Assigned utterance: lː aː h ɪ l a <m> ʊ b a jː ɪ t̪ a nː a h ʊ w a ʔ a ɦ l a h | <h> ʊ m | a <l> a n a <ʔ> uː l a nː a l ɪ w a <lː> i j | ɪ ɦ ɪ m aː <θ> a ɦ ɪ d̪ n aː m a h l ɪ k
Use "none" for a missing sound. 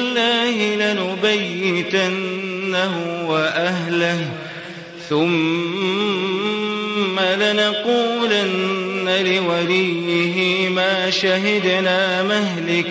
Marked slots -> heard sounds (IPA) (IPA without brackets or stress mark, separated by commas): n, θ, l, q, l, ʃ